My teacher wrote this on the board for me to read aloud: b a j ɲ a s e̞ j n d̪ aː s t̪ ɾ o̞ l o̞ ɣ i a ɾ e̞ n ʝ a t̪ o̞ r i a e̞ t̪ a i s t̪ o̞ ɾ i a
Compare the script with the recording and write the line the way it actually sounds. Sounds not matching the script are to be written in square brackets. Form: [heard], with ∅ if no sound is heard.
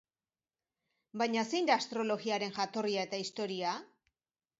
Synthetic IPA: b a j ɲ a s e̞ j n d̪ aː s t̪ ɾ o̞ l o̞ ɣ i a ɾ e̞ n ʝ a t̪ o̞ r i a e̞ t̪ a i s t̪ o̞ ɾ i a